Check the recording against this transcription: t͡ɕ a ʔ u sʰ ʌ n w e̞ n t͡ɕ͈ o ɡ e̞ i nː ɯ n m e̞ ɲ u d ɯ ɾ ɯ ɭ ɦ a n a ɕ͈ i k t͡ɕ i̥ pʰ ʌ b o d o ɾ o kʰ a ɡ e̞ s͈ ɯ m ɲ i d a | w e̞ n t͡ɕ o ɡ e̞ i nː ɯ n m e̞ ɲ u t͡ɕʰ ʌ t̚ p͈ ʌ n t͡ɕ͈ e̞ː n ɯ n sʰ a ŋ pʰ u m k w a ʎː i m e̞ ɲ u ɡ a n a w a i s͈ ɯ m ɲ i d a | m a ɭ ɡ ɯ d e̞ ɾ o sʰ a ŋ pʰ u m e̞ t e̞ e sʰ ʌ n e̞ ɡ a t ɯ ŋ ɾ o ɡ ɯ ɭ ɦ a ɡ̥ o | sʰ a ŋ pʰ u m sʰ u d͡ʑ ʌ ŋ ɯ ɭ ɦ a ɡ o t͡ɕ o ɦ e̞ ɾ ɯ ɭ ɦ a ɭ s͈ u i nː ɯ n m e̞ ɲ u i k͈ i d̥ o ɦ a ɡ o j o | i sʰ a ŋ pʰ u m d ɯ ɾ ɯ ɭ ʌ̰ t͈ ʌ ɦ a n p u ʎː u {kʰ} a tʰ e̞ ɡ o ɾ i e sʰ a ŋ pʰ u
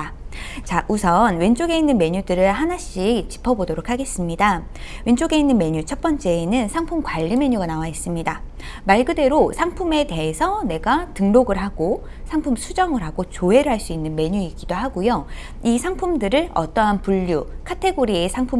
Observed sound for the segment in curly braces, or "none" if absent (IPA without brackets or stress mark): kʰ